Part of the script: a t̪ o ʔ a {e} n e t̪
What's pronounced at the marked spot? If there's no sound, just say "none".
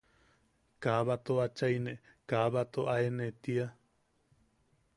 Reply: e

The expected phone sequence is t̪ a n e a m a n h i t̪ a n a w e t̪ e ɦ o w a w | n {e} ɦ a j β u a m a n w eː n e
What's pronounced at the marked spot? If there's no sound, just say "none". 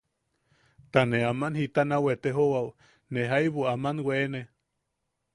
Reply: e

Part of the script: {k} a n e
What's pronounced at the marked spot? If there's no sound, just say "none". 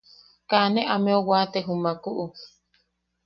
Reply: k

